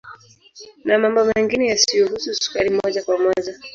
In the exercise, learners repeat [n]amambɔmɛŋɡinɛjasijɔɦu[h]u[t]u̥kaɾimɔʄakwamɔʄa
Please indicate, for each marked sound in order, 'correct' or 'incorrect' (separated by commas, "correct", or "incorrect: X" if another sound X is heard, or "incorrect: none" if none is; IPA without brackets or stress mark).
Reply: correct, incorrect: s, incorrect: s